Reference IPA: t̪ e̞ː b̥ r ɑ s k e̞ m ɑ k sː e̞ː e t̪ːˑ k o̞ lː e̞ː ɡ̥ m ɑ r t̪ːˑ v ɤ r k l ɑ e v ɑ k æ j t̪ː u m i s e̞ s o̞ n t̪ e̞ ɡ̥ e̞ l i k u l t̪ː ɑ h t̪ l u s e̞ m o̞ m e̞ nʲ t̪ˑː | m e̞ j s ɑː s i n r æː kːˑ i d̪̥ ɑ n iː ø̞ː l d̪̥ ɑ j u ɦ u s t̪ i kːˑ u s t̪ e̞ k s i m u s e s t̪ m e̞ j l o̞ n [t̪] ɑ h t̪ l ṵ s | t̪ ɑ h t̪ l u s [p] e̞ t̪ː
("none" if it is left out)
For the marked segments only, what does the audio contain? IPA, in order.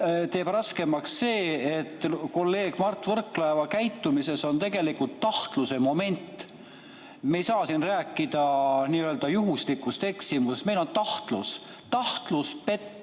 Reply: t̪, p

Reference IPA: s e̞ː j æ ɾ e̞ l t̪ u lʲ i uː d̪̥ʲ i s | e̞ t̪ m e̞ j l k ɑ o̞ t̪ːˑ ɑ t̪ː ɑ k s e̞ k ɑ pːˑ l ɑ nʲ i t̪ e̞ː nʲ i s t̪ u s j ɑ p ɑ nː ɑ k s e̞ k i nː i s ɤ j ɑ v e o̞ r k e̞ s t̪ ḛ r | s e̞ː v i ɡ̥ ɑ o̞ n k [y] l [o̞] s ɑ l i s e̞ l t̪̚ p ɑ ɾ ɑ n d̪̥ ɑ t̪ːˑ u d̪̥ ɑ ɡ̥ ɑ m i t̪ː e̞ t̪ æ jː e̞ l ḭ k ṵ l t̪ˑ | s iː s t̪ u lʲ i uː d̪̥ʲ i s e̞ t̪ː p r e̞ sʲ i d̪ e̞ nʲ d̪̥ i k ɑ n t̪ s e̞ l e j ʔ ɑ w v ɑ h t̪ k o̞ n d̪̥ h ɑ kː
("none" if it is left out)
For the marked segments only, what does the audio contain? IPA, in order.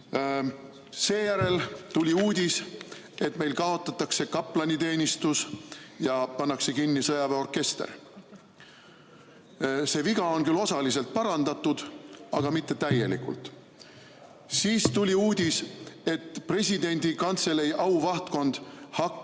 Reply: y, o̞

